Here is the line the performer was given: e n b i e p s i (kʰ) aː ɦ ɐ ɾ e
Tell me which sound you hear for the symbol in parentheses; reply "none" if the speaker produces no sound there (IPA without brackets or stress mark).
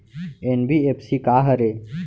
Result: k